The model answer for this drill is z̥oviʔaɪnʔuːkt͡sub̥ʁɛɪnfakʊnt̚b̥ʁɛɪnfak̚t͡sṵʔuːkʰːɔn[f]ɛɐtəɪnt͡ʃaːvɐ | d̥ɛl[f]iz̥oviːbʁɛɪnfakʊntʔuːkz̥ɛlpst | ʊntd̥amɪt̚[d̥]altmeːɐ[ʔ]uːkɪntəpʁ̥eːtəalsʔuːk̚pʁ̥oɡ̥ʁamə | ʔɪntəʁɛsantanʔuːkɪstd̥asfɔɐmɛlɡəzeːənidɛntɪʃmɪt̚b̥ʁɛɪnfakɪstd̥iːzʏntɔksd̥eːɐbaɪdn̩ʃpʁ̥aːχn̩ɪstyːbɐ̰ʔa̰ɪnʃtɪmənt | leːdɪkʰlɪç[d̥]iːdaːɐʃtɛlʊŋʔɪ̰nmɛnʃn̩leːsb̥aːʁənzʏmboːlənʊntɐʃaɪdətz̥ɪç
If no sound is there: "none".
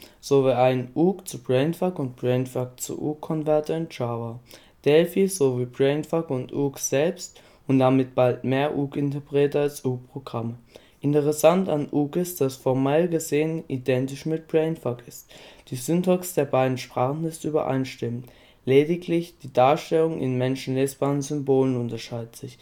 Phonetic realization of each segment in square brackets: v, f, b̥, ʔ, d̥

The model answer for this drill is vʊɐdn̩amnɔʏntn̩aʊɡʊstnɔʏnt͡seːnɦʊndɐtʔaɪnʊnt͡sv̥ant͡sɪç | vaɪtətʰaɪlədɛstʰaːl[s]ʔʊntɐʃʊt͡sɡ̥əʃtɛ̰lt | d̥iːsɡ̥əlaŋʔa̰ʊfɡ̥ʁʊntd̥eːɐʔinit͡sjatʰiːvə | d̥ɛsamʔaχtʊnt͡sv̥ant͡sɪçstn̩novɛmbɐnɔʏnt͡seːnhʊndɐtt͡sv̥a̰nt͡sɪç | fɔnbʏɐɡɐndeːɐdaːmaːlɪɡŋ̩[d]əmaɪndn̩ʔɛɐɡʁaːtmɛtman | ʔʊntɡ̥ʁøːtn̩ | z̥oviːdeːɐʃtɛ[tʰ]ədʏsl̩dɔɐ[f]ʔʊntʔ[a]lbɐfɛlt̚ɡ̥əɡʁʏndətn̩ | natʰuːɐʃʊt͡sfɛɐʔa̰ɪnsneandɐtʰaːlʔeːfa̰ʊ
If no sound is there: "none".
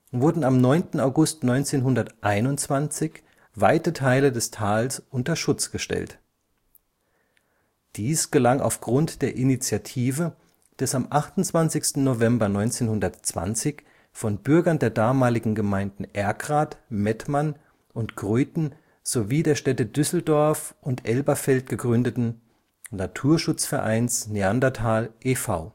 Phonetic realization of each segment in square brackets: s, ɡ, t, f, ɛ

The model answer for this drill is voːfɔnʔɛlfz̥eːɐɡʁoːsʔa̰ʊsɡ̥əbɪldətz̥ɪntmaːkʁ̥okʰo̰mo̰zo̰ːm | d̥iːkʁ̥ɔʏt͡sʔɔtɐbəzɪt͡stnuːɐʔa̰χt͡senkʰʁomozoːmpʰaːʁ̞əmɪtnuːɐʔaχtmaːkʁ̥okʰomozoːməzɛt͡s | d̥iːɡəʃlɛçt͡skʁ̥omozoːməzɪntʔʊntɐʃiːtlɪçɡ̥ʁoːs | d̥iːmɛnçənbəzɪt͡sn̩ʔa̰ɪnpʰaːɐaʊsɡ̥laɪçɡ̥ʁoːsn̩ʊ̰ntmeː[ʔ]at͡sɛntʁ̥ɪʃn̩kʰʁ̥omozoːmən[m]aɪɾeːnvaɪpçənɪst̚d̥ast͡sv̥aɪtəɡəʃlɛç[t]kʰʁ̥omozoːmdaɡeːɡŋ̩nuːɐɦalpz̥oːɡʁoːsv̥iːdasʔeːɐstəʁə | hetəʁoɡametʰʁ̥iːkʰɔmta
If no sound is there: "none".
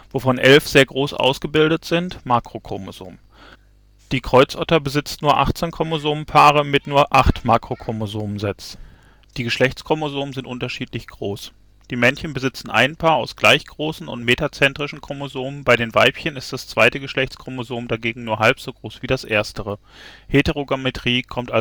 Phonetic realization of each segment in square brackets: t, b, t͡s

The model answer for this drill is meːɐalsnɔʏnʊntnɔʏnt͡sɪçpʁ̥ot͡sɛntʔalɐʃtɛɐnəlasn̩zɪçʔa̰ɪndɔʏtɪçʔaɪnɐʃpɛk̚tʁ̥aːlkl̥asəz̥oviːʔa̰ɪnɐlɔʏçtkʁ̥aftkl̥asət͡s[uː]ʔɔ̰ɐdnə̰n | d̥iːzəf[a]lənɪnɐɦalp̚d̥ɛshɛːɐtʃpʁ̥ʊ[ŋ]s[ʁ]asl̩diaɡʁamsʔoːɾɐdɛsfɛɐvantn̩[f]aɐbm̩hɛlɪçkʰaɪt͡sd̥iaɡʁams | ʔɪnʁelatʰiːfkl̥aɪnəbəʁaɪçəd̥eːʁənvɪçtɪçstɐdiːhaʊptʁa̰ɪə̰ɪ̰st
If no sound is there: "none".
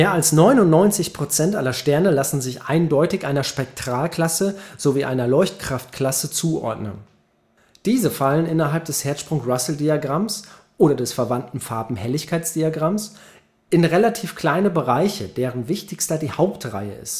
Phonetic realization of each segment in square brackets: uː, a, ŋ, ʁ, f

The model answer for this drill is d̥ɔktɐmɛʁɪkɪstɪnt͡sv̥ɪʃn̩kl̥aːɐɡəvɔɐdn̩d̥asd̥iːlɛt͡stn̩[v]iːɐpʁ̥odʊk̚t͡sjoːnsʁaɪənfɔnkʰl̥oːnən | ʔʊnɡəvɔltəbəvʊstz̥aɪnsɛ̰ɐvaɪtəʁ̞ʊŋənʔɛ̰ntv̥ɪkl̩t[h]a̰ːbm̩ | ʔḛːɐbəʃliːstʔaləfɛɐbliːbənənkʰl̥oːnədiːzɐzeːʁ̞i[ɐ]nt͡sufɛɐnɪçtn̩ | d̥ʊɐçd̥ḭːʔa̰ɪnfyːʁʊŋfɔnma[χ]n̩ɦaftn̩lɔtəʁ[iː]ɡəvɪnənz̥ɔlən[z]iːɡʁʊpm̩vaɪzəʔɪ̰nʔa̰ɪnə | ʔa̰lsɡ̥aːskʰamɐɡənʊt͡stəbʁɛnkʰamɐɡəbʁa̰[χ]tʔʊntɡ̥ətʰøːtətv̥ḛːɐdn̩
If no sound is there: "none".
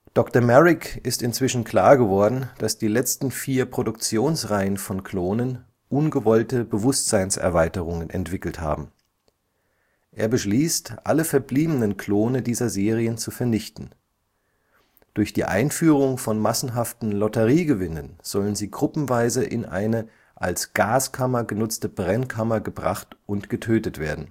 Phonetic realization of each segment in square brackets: f, h, ə, s, iː, z, χ

